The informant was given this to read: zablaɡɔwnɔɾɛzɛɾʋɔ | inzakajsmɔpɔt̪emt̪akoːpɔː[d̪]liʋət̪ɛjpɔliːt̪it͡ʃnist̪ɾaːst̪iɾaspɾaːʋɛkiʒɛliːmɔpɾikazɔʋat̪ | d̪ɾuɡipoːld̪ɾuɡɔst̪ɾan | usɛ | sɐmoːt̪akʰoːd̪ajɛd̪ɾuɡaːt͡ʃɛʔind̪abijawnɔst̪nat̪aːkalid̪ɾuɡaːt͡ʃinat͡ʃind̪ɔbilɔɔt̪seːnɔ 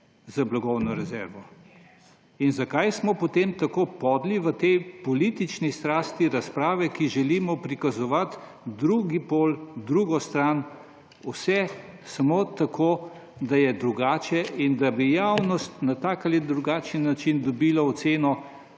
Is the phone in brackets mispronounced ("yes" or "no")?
no